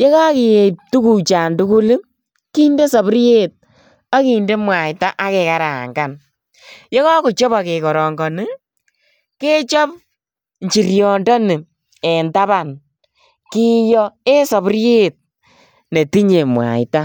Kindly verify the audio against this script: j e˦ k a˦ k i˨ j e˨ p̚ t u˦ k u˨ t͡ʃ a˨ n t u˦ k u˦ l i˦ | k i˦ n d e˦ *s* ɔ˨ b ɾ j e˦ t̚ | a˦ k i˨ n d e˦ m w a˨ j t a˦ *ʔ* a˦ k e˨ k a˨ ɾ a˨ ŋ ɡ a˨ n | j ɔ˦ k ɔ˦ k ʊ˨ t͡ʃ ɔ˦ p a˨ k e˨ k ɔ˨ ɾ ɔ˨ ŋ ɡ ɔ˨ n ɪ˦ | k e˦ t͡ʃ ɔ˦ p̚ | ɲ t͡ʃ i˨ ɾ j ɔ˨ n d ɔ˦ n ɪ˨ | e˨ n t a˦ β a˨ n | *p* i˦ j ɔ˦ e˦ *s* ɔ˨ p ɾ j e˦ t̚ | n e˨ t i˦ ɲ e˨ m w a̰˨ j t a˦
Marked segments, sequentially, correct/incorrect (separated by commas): correct, correct, incorrect, correct